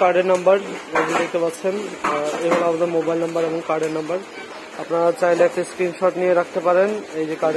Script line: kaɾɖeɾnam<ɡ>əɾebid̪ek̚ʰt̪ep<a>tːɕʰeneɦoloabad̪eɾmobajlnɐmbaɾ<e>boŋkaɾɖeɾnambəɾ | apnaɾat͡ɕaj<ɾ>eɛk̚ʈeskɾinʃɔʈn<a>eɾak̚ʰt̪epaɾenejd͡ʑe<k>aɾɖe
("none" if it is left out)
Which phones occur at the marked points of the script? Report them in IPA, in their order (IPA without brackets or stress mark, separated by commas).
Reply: b, a, e, l, i, k